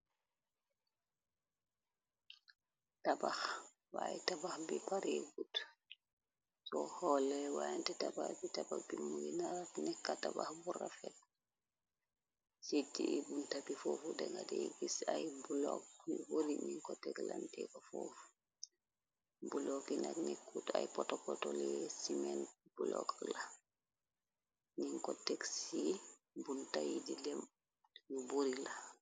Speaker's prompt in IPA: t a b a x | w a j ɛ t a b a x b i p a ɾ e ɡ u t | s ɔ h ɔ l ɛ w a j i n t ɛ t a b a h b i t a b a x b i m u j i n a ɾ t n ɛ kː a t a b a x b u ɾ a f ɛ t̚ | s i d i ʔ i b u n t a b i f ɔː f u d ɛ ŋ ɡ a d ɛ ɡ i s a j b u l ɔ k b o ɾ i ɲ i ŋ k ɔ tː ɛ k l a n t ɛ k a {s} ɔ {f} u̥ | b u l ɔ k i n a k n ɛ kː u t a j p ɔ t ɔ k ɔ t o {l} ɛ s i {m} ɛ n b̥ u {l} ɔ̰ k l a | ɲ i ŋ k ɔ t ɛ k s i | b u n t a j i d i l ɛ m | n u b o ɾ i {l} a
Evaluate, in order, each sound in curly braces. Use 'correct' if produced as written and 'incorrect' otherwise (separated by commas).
incorrect, correct, correct, correct, correct, correct